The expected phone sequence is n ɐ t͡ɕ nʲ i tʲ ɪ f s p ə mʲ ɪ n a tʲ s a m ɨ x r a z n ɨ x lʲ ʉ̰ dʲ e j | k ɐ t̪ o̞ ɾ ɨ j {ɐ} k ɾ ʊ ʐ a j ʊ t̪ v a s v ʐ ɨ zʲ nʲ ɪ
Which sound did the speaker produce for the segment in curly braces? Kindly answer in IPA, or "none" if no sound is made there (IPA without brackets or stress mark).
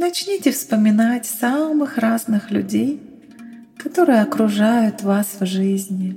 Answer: ɐ